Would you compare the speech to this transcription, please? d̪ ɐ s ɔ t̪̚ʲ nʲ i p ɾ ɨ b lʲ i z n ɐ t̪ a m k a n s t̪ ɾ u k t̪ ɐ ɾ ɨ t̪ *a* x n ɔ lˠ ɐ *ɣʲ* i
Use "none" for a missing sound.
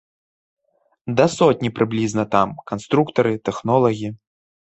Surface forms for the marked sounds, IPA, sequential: ɛ, ɣʲ

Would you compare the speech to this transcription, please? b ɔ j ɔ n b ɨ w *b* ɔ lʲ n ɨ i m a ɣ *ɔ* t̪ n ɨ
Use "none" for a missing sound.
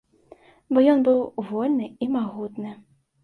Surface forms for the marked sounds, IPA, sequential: v, u

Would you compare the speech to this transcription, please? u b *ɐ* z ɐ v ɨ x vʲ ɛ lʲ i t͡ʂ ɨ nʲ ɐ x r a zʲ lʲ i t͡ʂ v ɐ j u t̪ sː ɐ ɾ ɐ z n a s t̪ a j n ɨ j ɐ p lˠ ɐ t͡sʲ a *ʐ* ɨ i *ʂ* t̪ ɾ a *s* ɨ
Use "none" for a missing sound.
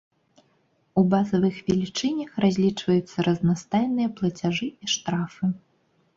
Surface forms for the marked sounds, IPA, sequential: a, ʐ, ʂ, f

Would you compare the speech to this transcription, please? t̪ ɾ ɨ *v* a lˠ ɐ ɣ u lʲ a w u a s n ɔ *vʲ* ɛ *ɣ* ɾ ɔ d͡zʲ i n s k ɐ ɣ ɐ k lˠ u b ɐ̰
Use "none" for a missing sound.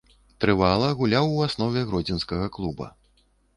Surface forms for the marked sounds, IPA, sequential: v, vʲ, ɣ

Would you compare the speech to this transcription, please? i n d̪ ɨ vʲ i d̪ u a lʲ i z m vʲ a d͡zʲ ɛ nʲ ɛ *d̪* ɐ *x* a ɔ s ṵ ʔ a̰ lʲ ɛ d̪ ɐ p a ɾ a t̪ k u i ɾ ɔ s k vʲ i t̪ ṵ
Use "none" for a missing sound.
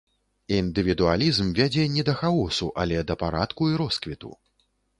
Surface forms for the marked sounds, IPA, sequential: d̪, x

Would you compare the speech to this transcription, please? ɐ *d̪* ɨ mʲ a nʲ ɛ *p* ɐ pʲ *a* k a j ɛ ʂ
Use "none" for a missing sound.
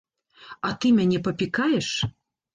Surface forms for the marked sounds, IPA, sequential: t̪, p, i

